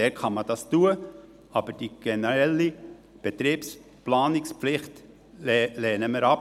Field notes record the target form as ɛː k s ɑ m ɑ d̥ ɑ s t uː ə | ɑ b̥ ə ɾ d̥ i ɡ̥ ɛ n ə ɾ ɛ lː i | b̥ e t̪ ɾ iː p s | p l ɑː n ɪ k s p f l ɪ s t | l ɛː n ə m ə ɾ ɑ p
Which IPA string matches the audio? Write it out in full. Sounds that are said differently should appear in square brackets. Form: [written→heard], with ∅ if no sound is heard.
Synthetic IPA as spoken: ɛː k [s→χ] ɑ m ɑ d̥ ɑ s t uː ə | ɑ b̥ ə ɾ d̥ i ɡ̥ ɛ n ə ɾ ɛ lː i | b̥ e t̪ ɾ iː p s | p l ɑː n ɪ k s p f l ɪ [s→χ] t | l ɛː n ə m ə ɾ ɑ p